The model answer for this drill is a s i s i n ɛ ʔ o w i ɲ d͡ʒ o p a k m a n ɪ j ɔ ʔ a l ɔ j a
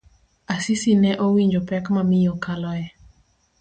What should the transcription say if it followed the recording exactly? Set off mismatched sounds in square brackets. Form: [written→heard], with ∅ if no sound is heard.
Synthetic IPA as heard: a s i s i n ɛ ʔ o w i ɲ d͡ʒ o p [a→ɛ] k m a [n→m] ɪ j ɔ [ʔ→k] a l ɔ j [a→ɛ]